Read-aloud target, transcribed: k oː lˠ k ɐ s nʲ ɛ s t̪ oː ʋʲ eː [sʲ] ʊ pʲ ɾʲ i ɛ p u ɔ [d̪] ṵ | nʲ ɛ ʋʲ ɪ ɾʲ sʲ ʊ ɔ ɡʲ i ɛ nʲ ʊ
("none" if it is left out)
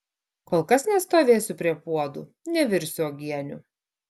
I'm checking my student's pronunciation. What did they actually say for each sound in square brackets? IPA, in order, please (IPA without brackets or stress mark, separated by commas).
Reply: sʲ, d̪